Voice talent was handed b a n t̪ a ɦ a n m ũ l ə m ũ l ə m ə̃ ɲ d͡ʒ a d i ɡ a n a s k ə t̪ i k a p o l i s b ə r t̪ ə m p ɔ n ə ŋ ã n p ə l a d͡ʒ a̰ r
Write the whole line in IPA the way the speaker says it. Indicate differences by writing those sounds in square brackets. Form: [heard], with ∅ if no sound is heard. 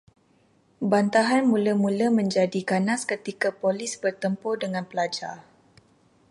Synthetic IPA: b a n t̪ a ɦ a n m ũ l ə m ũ l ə m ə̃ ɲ d͡ʒ a d i [k] a n a s k ə t̪ i k a p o l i s b ə r t̪ ə m p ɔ [d] ə ŋ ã n p ə l a d͡ʒ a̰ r